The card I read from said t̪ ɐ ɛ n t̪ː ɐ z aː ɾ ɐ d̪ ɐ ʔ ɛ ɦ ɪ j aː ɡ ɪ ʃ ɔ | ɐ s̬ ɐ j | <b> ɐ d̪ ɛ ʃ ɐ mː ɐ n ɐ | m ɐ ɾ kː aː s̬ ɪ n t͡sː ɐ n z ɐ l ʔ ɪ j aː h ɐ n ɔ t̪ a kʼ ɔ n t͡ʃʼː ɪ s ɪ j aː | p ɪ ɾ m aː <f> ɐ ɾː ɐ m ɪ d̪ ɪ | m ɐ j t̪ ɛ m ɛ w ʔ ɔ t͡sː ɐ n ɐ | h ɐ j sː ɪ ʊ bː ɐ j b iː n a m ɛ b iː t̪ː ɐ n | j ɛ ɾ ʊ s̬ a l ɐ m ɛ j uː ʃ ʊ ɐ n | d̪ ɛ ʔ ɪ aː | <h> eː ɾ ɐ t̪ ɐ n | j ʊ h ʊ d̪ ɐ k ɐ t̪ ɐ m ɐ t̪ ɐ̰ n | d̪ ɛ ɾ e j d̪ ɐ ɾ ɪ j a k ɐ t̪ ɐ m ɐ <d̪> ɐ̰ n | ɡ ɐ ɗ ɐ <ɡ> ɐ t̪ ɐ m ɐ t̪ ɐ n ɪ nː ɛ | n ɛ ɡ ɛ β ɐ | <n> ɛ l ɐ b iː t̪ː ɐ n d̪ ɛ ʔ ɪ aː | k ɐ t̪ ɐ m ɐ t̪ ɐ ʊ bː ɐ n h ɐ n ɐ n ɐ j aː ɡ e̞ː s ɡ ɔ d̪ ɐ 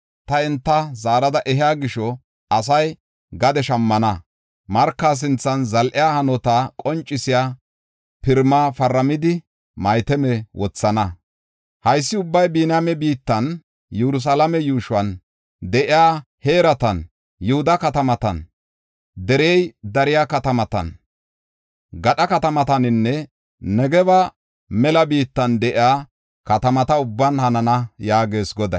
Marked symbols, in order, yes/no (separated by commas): no, yes, yes, no, no, no